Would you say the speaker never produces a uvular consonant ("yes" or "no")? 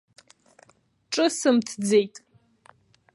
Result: yes